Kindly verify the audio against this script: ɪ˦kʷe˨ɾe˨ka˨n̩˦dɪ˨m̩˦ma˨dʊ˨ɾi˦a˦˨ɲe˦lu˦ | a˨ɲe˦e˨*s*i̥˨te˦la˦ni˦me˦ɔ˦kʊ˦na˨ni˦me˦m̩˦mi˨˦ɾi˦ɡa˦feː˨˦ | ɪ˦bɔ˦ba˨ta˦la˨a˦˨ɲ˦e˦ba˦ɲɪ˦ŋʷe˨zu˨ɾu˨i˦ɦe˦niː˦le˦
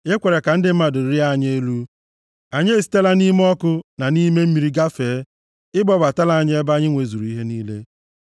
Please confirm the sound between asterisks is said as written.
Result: yes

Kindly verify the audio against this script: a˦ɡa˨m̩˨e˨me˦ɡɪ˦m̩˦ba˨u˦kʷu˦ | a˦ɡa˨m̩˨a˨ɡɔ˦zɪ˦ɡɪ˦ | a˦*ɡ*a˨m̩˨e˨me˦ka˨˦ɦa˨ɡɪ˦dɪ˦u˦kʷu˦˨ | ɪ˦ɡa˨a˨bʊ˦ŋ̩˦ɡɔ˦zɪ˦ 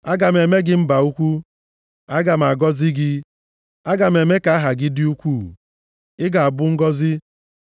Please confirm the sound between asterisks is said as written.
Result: yes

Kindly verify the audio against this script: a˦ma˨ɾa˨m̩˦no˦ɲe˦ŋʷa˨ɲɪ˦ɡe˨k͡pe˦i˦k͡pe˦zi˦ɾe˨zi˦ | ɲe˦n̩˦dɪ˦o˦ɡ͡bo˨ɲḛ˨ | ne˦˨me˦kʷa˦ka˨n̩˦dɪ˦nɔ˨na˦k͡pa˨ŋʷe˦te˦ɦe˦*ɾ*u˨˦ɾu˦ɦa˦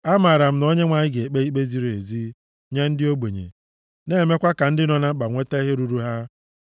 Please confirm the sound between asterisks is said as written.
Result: yes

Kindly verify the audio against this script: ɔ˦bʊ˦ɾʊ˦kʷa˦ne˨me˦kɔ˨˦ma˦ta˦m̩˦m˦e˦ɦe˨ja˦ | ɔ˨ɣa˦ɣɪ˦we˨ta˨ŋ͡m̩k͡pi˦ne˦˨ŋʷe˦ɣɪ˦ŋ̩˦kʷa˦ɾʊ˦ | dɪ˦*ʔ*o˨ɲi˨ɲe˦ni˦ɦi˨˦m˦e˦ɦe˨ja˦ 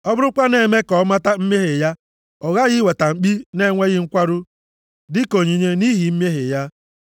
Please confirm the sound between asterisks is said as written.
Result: no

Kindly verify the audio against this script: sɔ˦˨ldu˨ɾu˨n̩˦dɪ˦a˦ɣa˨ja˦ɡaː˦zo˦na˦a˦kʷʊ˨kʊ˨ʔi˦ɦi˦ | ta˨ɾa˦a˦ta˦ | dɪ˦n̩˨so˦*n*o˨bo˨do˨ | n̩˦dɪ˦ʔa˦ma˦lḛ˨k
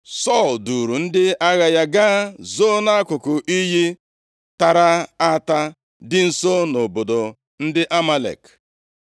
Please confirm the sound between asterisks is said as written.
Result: yes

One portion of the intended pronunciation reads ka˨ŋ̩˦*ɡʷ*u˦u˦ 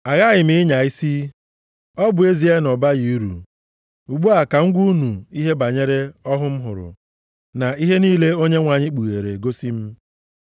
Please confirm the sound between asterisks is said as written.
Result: yes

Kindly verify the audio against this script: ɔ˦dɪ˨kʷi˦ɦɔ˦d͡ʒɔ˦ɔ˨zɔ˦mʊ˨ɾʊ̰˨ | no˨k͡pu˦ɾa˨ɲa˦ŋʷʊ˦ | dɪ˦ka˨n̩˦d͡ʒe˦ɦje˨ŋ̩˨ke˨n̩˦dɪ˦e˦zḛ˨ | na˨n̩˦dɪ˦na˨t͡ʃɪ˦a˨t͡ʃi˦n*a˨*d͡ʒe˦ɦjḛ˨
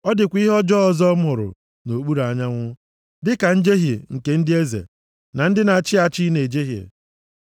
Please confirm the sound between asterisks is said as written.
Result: no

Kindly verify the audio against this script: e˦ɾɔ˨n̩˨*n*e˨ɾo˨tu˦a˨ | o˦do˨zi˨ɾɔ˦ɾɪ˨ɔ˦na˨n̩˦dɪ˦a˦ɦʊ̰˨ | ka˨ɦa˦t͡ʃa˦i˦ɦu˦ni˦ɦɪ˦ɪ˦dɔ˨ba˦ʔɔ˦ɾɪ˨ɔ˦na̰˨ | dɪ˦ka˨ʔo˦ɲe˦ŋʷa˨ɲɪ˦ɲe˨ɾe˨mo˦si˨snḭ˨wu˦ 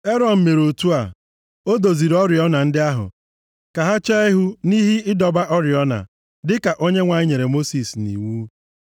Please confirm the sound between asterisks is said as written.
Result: no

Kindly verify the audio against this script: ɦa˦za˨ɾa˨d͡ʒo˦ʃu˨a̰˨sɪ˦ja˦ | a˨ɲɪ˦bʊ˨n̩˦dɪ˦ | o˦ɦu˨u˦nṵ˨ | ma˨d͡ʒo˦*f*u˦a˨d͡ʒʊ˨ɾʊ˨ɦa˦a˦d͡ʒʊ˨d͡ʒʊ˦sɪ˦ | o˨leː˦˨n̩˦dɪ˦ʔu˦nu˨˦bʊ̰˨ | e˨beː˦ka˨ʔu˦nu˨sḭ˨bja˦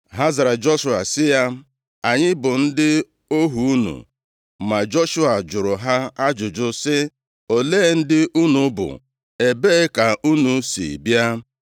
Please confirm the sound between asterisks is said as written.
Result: no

